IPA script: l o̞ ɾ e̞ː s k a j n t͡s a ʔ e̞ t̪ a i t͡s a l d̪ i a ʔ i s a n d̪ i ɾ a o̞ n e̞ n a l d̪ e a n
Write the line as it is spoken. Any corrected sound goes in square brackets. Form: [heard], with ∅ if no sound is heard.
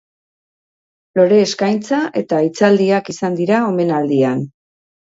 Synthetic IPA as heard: l o̞ ɾ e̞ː s k a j n t͡s a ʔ e̞ t̪ a i t͡s a l d̪ i a [k] i s a n d̪ i ɾ a o̞ [m] e̞ n a l d̪ [i] a n